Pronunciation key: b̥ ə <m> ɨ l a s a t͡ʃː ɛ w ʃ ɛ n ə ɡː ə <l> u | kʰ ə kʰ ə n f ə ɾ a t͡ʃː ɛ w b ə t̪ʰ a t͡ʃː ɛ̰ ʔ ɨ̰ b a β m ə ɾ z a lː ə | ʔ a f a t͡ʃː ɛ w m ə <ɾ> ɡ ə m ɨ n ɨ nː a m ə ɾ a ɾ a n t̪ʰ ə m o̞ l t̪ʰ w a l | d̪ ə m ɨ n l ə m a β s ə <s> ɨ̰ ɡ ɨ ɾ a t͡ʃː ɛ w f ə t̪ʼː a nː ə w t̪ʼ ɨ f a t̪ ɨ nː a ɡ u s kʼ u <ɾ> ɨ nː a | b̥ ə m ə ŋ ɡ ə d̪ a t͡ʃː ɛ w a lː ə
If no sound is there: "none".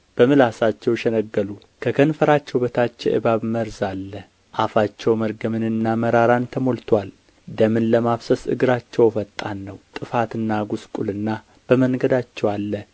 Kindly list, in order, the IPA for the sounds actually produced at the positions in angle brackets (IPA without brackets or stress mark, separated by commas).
m, l, ɾ, s, l